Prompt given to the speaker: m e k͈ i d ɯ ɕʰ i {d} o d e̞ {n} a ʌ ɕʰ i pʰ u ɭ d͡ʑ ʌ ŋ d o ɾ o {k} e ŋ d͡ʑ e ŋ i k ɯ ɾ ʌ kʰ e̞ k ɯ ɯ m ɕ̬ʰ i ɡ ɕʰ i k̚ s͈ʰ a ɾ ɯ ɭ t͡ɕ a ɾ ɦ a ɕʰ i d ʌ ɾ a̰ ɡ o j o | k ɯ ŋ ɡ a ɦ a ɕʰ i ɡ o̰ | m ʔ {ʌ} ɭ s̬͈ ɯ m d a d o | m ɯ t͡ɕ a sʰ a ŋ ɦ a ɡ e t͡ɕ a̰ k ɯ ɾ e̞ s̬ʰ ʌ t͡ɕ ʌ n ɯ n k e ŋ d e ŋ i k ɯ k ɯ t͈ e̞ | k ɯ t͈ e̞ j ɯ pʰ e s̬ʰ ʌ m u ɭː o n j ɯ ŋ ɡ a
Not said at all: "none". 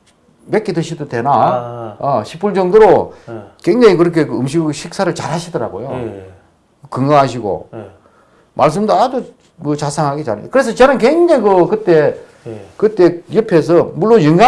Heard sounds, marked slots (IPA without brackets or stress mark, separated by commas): d, n, k, a